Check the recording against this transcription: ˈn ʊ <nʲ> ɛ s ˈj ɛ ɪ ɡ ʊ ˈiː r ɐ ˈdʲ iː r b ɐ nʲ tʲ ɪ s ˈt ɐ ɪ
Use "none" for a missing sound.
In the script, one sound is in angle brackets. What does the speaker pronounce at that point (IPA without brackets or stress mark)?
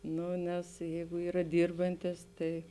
nʲ